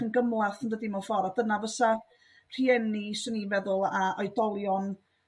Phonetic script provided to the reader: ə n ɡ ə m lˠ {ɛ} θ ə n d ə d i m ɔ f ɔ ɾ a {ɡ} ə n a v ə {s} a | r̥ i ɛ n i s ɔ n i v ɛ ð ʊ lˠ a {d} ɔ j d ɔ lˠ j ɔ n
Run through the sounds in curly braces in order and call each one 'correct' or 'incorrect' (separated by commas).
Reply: incorrect, incorrect, correct, incorrect